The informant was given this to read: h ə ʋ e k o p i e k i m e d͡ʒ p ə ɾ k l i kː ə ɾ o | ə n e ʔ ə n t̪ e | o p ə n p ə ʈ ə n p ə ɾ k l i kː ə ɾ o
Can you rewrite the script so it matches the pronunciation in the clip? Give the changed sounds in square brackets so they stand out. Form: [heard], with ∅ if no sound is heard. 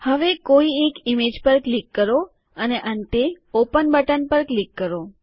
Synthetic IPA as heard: h ə ʋ e k o [∅] i e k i m e d͡ʒ p ə ɾ k l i kː ə ɾ o | ə n e ʔ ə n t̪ e | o p ə n [b] ə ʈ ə n p ə ɾ k l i kː ə ɾ o